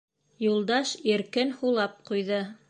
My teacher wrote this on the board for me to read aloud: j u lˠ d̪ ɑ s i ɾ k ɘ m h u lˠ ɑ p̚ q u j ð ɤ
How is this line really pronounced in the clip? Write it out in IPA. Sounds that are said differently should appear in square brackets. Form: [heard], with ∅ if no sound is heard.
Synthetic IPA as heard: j u lˠ d̪ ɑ [ʃ] i ɾ k ɘ [n] h u lˠ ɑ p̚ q u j ð ɤ